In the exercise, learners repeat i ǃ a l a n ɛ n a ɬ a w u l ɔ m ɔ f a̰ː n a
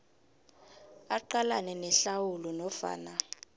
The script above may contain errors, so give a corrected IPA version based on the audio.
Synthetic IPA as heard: a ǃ a l a n ɛ n ɛ ɬ a w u l ɔ n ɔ f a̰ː n a